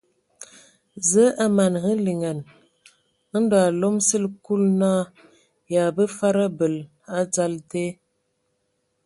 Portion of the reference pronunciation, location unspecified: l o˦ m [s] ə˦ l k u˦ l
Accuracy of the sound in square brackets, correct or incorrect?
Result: correct